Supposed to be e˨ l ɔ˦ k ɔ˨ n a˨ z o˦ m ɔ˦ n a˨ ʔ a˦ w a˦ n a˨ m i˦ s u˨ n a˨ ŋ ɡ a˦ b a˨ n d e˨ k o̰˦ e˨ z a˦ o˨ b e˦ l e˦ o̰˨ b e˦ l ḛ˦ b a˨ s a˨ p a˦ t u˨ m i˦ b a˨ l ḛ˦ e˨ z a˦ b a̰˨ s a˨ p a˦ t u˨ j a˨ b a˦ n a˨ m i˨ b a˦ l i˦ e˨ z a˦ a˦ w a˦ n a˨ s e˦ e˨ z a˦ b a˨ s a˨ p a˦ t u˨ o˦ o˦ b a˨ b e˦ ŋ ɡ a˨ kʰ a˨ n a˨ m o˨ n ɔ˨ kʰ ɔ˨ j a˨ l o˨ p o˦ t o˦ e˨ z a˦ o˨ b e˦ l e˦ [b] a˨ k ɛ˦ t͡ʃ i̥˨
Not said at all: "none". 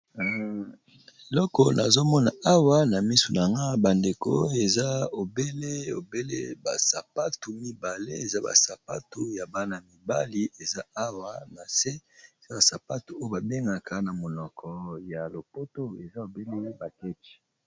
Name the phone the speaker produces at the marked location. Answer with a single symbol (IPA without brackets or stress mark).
b